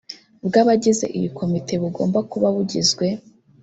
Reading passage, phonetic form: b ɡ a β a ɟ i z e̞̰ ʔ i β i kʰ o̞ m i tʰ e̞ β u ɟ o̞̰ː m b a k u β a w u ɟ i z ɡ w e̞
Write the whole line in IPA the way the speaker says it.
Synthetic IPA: b ɡ a β a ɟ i z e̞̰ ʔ i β i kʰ o̞ m i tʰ e̞ β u ɡ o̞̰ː m b a k u β a β u ɟ i z ɡ w e̞